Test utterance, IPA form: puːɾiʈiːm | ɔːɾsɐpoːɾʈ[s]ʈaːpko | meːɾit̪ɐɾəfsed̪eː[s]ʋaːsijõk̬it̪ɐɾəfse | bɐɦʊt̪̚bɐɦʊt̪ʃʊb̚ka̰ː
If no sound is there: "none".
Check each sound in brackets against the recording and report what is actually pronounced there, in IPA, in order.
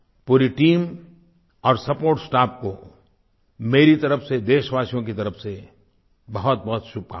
s, ʃ

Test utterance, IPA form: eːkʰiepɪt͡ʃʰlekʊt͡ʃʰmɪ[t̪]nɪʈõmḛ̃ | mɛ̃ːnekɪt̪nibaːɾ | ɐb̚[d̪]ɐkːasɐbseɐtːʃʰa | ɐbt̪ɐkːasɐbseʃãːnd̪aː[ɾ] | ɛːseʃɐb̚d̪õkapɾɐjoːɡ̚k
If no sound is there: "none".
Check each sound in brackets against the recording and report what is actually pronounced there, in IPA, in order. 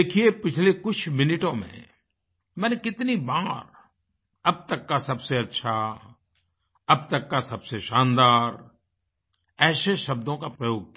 none, t̪, ɾ

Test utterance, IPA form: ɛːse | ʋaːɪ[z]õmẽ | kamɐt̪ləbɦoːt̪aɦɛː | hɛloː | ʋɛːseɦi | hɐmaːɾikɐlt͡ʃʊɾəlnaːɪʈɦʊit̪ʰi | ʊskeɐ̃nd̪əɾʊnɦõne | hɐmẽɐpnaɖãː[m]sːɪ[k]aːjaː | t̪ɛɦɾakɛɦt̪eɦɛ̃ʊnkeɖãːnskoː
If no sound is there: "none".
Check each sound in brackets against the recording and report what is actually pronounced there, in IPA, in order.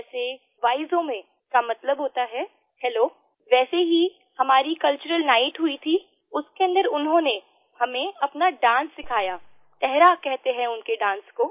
z, n, kʰ

